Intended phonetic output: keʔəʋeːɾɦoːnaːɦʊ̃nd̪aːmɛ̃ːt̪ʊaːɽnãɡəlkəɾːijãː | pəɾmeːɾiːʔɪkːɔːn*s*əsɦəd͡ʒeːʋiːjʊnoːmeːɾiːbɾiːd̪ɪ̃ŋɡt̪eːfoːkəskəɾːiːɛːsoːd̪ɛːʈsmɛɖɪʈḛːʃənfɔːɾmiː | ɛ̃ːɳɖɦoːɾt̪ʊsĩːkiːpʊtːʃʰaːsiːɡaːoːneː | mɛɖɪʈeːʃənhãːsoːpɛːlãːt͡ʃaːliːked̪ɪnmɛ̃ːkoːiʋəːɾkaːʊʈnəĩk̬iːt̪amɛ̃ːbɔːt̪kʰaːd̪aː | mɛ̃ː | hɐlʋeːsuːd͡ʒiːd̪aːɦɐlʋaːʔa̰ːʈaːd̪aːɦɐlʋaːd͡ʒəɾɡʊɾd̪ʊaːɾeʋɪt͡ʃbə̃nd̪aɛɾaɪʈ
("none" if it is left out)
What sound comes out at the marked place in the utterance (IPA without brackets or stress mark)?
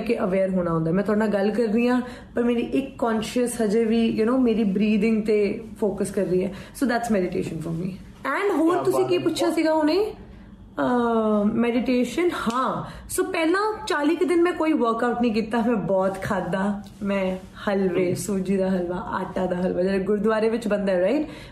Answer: ʃ